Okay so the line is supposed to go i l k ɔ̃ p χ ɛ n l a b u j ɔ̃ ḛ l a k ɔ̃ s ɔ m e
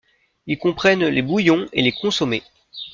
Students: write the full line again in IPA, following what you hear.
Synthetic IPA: i l k ɔ̃ p χ ɛ n l e b u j ɔ̃ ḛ l e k ɔ̃ s ɔ m e